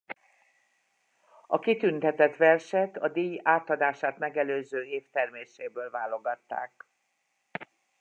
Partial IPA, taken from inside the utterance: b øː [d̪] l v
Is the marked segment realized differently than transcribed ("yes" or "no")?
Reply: yes